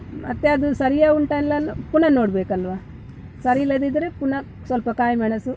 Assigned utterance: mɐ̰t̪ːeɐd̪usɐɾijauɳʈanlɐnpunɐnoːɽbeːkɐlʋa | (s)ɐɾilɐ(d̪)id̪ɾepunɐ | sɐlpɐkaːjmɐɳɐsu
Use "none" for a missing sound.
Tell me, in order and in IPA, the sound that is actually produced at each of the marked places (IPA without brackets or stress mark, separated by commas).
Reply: s, d̪